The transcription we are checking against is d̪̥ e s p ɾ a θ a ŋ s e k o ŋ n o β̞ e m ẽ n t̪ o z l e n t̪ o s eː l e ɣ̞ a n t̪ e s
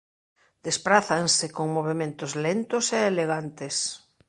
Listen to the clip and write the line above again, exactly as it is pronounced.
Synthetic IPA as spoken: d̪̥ e s p ɾ a θ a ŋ s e k o ŋ m o β̞ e m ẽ n t̪ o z l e n t̪ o s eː l e ɣ̞ a n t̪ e s